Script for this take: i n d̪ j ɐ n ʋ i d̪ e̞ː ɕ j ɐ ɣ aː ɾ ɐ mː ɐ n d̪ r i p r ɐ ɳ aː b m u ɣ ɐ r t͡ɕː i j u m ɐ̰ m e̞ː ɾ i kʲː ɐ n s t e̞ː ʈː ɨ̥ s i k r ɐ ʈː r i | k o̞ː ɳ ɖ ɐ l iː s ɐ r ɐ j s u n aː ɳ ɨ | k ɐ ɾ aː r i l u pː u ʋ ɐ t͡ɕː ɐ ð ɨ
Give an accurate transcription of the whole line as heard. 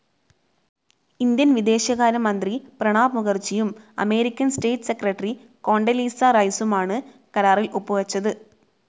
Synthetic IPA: i n d̪ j ɐ n ʋ i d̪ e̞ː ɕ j ɐ ɣ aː ɾ ɐ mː ɐ n d̪ r i p r ɐ ɳ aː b m u ɣ ɐ r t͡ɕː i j u m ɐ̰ m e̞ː ɾ i kʲː ɐ n s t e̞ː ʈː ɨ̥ s e k r ɐ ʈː r i | k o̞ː ɳ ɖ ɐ l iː s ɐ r ɐ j s u m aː ɳ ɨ | k ɐ ɾ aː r i l u pː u ʋ ɐ t͡ɕː ɐ ð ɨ